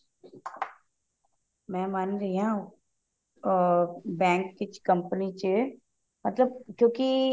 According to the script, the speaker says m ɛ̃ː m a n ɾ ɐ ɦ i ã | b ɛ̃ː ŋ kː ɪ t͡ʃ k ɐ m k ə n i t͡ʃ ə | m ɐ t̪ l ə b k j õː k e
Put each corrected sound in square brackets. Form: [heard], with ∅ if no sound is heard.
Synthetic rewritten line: m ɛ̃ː m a n ɾ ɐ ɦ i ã | b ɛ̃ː ŋ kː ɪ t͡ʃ k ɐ m [p] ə n i t͡ʃ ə | m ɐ t̪ l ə b k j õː k [i]

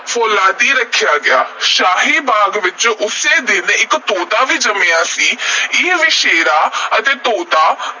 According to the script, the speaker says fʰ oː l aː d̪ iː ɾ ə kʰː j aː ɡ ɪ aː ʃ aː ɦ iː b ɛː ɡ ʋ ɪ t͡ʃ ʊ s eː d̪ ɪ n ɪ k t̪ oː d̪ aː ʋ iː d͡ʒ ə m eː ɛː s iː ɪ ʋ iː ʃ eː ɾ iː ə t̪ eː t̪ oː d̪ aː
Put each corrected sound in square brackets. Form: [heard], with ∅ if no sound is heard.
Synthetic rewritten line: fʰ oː l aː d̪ iː ɾ ə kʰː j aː ɡ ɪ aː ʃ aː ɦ iː b [aː] ɡ ʋ ɪ t͡ʃ ʊ s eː d̪ ɪ n ɪ k t̪ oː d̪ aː ʋ iː d͡ʒ ə m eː [aː] s iː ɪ ʋ iː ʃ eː ɾ [aː] ə t̪ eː t̪ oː d̪ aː

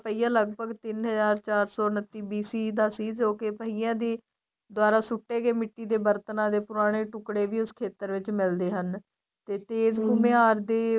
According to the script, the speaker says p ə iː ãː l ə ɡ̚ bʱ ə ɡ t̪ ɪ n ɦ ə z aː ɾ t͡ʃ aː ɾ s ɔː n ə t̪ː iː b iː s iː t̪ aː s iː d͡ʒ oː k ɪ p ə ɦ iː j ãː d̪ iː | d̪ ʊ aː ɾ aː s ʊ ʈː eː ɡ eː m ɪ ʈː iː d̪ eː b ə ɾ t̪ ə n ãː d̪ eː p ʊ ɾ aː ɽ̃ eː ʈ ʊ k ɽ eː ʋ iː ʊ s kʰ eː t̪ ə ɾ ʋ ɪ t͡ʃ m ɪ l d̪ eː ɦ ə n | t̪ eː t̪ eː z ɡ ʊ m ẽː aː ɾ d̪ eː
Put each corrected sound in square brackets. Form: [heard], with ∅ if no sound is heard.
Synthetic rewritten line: p ə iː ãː l ə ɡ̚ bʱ ə ɡ t̪ ɪ n ɦ ə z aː ɾ t͡ʃ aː ɾ s ɔː n ə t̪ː iː b iː s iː [d̪] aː s iː d͡ʒ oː k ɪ p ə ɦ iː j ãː d̪ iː | d̪ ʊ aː ɾ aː s ʊ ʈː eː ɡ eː m ɪ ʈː iː d̪ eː b ə ɾ t̪ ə n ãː d̪ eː p ʊ ɾ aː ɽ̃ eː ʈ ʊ k ɽ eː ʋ iː ʊ s kʰ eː t̪ ə ɾ ʋ ɪ t͡ʃ m ɪ l d̪ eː ɦ ə n | t̪ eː t̪ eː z ɡ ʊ m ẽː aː ɾ d̪ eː

